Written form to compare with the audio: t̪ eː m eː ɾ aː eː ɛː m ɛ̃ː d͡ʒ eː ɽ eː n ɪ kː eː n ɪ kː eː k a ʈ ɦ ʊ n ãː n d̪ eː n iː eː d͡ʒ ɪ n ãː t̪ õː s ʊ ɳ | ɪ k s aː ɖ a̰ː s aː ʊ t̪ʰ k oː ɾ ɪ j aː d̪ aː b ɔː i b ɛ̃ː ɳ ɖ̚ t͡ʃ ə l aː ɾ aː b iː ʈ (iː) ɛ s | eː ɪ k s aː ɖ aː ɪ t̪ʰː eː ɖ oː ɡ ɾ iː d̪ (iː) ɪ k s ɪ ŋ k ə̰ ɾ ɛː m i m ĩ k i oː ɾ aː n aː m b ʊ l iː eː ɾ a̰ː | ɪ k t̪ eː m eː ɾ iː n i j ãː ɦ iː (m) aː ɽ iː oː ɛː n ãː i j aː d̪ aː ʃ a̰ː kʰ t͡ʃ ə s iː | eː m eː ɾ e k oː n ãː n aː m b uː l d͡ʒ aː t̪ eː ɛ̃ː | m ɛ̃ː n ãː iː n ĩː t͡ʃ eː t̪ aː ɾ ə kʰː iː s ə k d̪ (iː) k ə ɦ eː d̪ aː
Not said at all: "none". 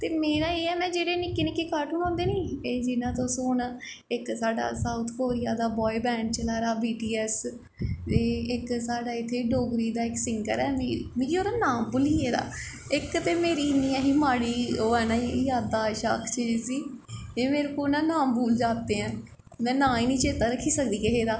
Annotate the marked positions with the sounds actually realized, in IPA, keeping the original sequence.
iː, aː, m, iː

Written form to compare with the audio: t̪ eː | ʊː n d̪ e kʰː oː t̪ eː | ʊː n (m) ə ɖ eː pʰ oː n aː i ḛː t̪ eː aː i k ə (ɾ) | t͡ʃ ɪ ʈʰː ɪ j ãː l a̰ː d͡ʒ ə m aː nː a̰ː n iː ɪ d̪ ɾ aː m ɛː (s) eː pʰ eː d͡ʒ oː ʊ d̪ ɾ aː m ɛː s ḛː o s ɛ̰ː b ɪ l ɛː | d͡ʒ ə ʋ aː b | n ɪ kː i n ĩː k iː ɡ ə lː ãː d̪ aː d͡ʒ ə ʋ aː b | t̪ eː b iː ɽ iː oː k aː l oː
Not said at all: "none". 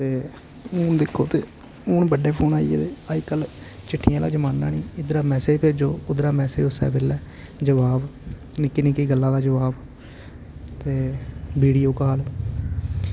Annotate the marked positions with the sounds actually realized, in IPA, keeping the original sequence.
b, l, s

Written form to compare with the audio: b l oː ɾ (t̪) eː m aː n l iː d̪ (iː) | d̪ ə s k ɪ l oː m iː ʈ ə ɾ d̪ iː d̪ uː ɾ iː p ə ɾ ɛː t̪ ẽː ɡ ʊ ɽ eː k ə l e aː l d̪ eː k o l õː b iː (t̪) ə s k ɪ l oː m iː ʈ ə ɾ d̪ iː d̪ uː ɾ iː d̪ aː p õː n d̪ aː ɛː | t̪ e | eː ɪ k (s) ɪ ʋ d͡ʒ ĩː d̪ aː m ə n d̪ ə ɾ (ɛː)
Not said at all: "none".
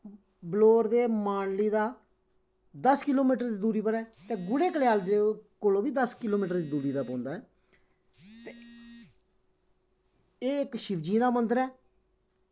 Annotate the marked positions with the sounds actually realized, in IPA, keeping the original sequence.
d̪, aː, d̪, ʃ, ɛː

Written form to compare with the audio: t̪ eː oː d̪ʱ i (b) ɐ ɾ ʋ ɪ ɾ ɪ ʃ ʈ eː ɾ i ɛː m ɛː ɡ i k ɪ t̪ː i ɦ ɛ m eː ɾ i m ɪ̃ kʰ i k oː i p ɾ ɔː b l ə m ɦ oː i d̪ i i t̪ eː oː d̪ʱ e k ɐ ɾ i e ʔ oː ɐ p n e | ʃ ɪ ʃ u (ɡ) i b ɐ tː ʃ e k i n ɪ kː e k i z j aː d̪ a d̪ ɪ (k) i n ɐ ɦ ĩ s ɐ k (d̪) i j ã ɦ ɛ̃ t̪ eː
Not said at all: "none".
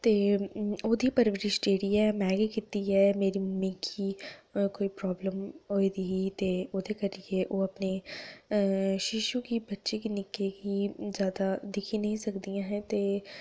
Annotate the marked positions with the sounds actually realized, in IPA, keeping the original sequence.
p, k, kʰ, d̪

